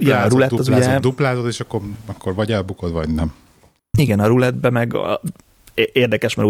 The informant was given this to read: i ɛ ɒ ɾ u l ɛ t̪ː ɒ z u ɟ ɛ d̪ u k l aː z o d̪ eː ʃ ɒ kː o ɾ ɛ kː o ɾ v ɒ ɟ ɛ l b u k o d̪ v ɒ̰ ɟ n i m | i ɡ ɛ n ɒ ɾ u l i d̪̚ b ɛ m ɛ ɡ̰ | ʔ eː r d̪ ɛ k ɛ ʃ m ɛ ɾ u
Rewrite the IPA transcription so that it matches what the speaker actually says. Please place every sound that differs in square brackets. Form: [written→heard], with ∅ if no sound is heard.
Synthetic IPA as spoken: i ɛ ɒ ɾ u l ɛ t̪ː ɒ z u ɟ ɛ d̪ u [k→p] l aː z o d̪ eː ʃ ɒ kː o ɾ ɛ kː o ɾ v ɒ ɟ ɛ l b u k o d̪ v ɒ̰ ɟ n [i→ɛ] m | i ɡ ɛ n ɒ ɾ u l [i→ɛ] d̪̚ b ɛ m ɛ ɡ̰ | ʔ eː r d̪ ɛ k ɛ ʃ m ɛ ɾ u